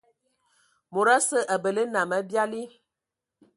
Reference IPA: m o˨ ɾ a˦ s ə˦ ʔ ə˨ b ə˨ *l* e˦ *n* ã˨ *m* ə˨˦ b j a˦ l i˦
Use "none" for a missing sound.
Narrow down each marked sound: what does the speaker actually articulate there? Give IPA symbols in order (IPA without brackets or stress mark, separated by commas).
l, n, m